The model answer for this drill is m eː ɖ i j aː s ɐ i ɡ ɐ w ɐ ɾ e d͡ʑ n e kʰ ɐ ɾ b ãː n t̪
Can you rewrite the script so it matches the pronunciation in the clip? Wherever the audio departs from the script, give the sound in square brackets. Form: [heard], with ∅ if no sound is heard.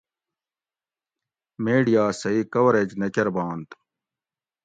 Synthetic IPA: m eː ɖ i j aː s ɐ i [k] ɐ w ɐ ɾ e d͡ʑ n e [k] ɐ ɾ b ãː n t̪